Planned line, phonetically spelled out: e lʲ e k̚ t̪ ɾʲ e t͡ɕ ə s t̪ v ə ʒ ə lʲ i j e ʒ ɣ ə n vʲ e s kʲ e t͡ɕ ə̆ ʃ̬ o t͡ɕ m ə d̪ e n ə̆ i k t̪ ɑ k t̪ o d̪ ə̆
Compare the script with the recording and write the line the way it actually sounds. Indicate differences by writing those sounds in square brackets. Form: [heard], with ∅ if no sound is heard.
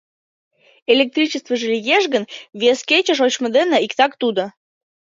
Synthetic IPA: e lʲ e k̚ t̪ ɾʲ [i] t͡ɕ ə s t̪ v ə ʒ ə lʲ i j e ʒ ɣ ə n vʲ e s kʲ e t͡ɕ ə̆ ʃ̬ o t͡ɕ m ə d̪ e n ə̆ i k t̪ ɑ k t̪ [u] d̪ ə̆